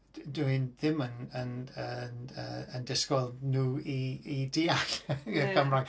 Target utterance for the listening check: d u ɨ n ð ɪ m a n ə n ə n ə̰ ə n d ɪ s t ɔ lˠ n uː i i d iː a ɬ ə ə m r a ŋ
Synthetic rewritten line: d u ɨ n ð ɪ m ə n ə n ə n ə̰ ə n d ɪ s k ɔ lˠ n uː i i d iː a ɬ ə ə m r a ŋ